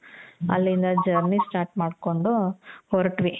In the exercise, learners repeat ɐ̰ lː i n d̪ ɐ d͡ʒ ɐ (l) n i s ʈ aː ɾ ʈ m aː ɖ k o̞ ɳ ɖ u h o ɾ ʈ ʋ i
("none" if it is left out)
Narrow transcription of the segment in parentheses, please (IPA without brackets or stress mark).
ɾ